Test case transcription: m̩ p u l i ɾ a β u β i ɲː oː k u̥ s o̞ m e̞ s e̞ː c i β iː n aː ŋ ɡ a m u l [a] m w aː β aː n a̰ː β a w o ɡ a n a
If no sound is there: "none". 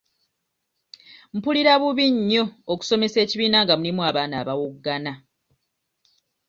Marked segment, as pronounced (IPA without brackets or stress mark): i